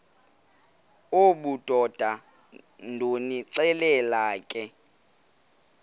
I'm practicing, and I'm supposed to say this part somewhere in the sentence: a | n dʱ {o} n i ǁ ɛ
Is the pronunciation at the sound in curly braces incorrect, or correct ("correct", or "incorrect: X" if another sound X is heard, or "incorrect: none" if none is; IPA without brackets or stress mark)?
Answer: correct